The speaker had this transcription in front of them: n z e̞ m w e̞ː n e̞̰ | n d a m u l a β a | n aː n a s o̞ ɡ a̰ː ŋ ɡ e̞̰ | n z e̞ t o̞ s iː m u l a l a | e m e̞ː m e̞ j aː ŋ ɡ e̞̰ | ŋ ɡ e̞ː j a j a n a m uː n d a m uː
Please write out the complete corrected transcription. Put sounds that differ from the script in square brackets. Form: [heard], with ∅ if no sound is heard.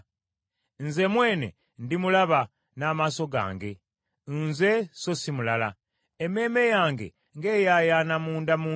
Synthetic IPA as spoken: n z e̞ m w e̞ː n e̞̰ | n d [i] m u l a β a | n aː [m] a s o̞ ɡ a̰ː ŋ ɡ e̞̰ | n z e̞ [s] o̞ s [i] m u l a l a | e m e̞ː m e̞ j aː ŋ ɡ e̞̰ | ŋ ɡ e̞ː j a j a n a m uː n d a m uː